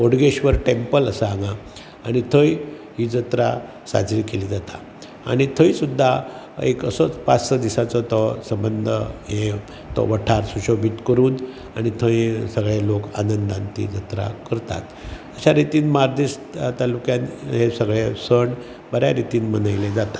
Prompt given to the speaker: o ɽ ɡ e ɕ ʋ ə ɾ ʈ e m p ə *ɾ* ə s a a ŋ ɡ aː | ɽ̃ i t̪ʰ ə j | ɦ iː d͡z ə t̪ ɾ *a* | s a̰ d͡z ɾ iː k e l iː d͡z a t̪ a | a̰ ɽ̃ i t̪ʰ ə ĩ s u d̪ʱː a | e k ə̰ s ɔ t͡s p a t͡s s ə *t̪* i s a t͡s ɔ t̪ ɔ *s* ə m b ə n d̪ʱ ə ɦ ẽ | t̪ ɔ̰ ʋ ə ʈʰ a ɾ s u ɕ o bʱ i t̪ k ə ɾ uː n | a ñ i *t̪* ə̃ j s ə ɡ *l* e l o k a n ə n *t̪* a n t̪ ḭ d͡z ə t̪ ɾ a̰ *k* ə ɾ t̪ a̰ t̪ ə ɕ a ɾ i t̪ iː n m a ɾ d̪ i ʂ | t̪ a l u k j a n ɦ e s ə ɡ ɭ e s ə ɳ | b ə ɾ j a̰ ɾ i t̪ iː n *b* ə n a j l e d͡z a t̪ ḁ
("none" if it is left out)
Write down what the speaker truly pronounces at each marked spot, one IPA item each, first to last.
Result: l, a, d̪, s, t̪ʰ, ɭ, d̪, k, m

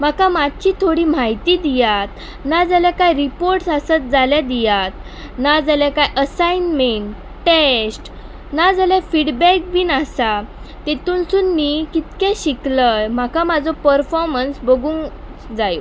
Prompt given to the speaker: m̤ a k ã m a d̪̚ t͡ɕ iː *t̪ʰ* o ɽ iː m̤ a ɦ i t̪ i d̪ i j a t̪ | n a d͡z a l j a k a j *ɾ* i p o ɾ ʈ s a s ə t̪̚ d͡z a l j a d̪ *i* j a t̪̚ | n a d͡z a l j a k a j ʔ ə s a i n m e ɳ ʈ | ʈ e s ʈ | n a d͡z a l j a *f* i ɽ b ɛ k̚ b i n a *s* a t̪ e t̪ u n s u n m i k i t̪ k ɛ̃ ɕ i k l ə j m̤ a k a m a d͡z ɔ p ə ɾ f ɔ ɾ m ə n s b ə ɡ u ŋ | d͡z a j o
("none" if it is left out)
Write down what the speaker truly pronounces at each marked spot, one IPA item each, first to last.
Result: t̪ʰ, ɾ, i, f, s

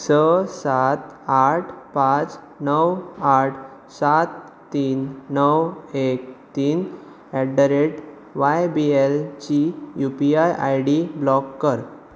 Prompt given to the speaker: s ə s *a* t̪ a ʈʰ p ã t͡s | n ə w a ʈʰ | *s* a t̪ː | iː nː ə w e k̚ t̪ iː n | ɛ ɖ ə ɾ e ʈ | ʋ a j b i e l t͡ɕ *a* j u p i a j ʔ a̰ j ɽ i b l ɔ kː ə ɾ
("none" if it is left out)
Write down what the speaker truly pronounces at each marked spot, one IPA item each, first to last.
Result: a, s, i

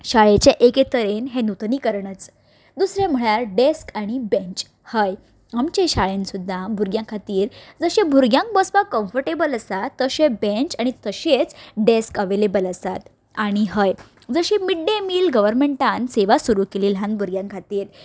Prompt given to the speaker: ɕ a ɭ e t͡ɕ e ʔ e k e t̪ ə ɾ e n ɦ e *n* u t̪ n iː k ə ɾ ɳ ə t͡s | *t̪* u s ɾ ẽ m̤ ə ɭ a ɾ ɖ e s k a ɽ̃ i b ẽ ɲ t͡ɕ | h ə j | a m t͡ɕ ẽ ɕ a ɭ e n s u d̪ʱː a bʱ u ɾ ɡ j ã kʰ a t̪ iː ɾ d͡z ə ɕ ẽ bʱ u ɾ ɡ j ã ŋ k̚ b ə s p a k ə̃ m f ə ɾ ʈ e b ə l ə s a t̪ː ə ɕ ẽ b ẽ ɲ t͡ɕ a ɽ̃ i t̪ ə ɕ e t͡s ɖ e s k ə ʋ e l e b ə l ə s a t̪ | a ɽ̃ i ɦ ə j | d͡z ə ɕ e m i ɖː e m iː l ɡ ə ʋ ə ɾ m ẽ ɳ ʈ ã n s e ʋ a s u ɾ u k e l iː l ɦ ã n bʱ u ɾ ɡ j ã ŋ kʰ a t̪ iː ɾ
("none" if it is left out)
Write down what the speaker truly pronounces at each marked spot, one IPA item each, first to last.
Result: n, d̪

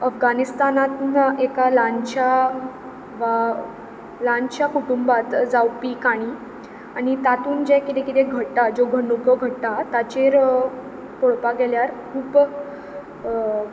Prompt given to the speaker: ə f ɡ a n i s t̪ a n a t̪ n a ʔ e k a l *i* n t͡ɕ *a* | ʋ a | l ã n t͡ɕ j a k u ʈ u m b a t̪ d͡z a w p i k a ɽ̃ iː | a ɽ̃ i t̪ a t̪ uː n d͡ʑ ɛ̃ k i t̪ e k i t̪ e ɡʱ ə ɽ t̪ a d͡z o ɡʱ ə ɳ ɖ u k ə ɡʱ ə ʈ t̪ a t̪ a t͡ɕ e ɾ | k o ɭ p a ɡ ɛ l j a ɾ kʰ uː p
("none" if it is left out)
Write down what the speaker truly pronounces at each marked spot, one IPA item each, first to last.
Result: a, a

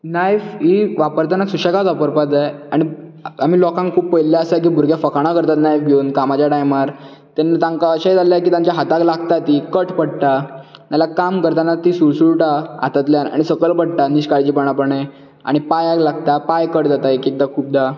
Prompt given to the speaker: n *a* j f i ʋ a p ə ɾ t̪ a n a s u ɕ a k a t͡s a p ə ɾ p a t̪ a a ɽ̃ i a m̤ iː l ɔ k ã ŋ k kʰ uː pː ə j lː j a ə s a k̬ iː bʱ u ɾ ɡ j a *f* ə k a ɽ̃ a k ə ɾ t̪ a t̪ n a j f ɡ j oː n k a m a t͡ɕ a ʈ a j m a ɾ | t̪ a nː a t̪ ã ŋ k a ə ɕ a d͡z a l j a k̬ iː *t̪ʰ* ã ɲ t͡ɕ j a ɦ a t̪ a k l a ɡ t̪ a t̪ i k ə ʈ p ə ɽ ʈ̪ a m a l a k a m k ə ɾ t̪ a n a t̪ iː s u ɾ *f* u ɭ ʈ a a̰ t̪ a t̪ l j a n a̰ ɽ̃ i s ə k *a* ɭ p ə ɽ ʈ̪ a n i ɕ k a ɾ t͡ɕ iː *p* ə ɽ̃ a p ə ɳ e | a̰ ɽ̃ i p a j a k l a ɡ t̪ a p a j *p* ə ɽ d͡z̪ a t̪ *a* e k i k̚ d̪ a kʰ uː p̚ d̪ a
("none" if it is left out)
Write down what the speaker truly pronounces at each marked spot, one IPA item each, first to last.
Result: a, f, t̪, s, ə, p, k, a

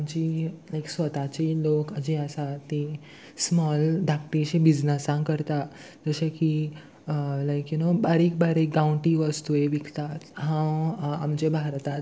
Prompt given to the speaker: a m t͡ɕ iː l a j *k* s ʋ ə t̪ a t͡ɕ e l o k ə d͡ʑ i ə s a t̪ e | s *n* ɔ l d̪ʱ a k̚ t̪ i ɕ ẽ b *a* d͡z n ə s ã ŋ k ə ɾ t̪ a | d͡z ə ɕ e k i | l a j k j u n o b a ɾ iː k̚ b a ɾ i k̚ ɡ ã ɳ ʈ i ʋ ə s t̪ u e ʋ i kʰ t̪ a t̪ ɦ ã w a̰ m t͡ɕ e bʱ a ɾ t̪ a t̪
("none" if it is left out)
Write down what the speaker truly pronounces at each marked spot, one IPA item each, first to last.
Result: k, m, i

